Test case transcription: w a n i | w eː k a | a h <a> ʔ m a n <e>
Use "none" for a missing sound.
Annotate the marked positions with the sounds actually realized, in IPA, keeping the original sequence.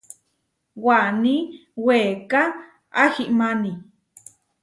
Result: i, i

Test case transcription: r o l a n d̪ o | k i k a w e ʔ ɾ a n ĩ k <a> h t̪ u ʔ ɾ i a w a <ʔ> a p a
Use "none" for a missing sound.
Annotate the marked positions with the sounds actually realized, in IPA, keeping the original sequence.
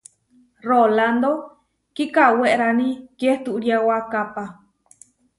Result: e, k

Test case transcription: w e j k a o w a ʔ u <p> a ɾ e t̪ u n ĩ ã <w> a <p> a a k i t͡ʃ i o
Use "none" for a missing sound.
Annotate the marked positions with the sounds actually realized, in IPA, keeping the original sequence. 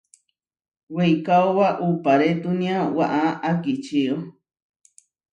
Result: p, w, ʔ

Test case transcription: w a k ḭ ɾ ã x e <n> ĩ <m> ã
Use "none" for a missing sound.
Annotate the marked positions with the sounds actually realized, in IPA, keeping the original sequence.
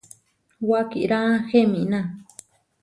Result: m, n

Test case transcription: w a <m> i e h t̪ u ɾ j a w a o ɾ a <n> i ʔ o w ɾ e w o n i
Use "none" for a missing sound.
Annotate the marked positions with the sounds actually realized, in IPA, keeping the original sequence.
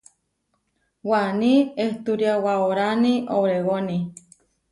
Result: n, n

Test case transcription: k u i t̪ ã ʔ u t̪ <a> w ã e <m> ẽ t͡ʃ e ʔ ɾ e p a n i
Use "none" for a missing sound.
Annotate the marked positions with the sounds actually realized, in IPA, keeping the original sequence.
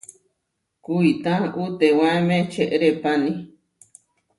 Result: e, m

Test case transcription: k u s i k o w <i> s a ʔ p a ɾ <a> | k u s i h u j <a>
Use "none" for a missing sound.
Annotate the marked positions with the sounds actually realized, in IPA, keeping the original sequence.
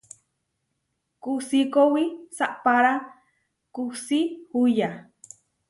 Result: i, a, a

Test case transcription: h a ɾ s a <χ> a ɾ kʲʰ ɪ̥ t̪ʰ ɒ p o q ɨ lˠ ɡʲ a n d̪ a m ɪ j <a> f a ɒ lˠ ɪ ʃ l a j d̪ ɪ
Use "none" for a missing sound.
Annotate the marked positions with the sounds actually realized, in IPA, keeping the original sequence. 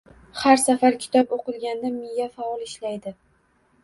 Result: f, a

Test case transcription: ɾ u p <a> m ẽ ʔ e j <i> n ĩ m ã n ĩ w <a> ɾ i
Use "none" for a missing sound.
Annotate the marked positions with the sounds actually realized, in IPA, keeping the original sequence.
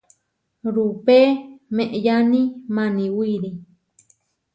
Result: e, a, i

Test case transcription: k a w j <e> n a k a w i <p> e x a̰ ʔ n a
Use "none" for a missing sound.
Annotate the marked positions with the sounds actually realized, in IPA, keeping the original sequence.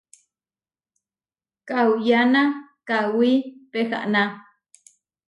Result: a, p

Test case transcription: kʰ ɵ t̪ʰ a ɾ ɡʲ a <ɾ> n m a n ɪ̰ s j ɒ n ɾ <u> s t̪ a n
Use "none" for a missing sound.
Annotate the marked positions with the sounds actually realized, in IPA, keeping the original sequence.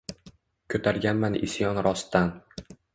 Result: none, ɒ

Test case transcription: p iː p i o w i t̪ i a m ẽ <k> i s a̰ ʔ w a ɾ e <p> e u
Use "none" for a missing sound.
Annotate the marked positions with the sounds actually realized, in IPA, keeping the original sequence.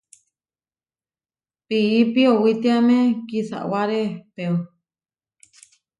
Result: k, p

